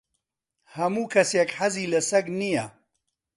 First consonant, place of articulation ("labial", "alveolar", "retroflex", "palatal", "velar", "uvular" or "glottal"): glottal